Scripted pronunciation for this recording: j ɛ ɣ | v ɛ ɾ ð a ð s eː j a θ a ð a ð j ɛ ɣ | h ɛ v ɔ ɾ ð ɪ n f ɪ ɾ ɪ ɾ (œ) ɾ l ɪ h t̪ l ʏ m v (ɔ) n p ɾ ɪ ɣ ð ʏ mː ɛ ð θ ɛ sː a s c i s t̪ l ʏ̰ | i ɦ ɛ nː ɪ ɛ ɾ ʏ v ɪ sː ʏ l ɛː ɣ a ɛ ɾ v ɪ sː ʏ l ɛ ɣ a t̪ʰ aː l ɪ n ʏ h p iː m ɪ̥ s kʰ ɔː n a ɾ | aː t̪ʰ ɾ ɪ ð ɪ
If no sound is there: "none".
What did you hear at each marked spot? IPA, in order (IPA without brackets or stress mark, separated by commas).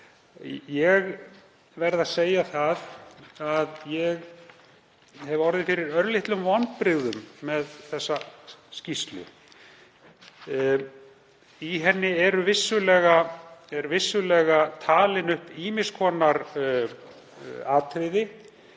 œ, ɔ